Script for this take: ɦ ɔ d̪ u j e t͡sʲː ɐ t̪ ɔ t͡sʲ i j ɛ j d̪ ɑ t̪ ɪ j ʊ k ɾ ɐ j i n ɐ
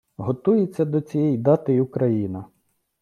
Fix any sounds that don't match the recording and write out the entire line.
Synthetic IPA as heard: ɦ ɔ t̪ u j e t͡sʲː ɐ d̪ ɔ t͡sʲ i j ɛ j d̪ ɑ t̪ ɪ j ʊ k ɾ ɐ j i n ɐ